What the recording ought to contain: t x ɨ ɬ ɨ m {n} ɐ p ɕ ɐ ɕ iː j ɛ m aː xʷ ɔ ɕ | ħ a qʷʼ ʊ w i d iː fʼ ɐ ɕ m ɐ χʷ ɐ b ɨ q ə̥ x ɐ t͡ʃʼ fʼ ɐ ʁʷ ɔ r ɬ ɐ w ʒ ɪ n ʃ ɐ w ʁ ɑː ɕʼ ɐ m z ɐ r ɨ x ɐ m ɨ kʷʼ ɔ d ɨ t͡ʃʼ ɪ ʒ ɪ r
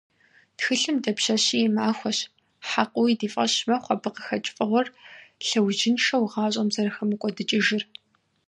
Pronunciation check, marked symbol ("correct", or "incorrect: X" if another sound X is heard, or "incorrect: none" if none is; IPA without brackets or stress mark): incorrect: d